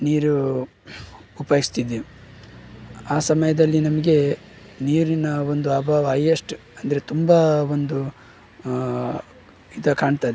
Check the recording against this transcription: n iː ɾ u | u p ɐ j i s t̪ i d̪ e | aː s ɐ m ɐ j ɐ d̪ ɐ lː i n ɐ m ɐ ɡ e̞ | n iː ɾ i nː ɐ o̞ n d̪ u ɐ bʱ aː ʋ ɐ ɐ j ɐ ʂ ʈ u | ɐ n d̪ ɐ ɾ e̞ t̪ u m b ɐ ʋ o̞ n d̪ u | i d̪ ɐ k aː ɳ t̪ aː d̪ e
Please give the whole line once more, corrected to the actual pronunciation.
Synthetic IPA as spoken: n iː ɾ u | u p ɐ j i s t̪ i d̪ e | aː s ɐ m ɐ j ɐ d̪ ɐ lː i n ɐ m ɐ ɡ e̞ | n iː ɾ i n ɐ o̞ n d̪ u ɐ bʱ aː ʋ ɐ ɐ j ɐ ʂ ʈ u | ɐ n d̪ ɐ ɾ e̞ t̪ u m b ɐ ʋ o̞ n d̪ u | i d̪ ɐ k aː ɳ t̪ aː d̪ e